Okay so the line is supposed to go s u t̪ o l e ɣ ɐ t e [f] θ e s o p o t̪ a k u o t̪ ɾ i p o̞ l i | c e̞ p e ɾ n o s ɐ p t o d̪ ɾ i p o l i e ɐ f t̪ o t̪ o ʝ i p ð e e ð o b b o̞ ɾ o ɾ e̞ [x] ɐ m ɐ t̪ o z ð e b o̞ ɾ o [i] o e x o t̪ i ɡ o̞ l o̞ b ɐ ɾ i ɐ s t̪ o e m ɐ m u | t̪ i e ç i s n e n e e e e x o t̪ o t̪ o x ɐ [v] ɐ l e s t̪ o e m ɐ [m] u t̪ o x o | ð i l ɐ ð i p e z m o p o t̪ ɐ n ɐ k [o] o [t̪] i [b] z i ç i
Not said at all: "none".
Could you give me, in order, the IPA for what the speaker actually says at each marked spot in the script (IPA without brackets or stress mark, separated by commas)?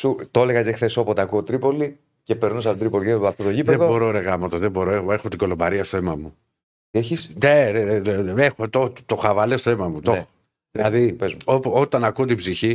x, ɣ, e, v, m, u, t̪, b